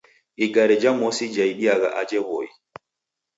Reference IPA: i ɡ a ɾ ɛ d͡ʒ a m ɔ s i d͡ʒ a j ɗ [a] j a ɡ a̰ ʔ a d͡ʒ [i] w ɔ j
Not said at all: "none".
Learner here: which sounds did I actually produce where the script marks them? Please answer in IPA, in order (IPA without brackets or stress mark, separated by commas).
i, ɛ